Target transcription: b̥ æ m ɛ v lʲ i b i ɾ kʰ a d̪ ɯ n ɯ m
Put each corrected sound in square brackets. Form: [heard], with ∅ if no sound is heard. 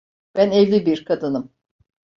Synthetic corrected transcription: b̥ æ [n] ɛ v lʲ i b i ɾ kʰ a d̪ ɯ n ɯ m